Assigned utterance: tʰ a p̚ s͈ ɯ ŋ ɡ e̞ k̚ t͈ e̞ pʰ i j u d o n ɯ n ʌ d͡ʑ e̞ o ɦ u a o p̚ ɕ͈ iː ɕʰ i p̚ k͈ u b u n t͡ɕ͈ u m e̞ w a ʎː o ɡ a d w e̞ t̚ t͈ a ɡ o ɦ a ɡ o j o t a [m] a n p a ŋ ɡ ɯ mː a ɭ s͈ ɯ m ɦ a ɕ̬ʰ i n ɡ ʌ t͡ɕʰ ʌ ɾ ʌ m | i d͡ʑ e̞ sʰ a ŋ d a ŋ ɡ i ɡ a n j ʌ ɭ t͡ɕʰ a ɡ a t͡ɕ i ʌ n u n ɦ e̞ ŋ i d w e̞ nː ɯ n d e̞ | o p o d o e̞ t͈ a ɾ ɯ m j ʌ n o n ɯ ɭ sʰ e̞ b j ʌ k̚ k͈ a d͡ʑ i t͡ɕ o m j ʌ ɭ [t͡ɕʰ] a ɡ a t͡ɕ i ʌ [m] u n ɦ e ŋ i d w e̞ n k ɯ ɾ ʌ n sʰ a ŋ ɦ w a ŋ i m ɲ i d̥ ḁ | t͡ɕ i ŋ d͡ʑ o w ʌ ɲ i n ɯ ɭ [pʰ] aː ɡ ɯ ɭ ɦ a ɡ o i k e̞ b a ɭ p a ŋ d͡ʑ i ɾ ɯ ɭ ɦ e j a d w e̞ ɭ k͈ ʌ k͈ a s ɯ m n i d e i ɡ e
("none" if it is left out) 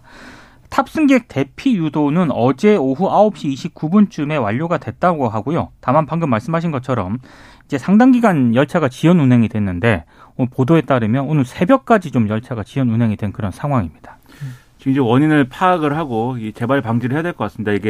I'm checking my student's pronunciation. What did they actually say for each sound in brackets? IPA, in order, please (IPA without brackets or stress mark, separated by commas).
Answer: m, t͡ɕʰ, n, pʰ